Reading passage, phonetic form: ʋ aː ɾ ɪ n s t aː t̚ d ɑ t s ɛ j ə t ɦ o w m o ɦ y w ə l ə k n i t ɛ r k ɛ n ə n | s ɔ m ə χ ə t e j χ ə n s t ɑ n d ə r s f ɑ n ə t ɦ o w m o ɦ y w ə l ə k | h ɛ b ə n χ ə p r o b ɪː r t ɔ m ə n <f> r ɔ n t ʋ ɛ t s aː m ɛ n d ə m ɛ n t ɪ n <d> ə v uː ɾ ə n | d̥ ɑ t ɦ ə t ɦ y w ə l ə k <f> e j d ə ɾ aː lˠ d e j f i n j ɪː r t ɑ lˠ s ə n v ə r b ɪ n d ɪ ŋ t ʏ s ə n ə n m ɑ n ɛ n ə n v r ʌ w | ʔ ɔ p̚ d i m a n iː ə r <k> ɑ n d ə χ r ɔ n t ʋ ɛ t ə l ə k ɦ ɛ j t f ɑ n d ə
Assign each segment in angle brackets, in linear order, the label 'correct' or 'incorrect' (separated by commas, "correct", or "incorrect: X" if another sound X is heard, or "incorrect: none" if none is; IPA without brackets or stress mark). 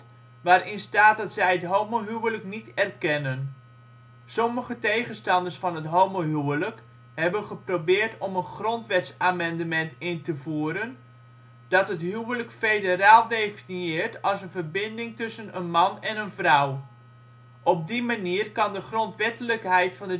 incorrect: χ, incorrect: t, correct, correct